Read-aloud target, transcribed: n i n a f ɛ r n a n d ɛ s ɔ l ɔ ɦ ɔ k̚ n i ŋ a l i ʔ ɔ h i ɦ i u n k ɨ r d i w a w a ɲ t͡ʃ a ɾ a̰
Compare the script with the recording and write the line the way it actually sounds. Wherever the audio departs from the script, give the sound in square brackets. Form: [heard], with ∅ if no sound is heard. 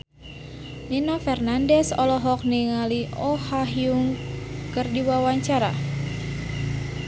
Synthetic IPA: n i n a f ɛ r n a n d ɛ s ɔ l ɔ ɦ ɔ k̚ n i ŋ a l i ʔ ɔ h [a] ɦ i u [ŋ] k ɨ r d i w a w a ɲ t͡ʃ a ɾ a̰